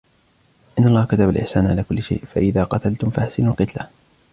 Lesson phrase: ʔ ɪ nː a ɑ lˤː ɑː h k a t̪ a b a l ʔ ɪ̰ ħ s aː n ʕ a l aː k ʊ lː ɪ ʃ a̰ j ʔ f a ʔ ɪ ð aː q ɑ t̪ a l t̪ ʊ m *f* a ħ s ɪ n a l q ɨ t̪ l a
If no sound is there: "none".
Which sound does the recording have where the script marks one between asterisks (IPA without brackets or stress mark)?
f